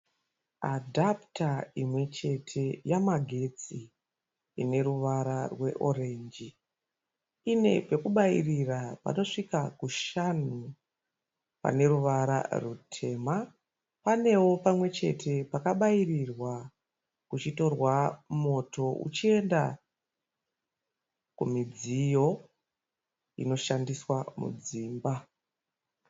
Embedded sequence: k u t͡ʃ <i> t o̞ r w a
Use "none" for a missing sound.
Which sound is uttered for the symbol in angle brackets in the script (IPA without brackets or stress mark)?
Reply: i